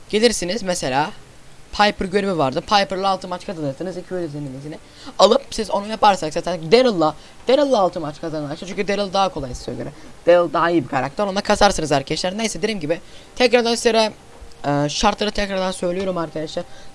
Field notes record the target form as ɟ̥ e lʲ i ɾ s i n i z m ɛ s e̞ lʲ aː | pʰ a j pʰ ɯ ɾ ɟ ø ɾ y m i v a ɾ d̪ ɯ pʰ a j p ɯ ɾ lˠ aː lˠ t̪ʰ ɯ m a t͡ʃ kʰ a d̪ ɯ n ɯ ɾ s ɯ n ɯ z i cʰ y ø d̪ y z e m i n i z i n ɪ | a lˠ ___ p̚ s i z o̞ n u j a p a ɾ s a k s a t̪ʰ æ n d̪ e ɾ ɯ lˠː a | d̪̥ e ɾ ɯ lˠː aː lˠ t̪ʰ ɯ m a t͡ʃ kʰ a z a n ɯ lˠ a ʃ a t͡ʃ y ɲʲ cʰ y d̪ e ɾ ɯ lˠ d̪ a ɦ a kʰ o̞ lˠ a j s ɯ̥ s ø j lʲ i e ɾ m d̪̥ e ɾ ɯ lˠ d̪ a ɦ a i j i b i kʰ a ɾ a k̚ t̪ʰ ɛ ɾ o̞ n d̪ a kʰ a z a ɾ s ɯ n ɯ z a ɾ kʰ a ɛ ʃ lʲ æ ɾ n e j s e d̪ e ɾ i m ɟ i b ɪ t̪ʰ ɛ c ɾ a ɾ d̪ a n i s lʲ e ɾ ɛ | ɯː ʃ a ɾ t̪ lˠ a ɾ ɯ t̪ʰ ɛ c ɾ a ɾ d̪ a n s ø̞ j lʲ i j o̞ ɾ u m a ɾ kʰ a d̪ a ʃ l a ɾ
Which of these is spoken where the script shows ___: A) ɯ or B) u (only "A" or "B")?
A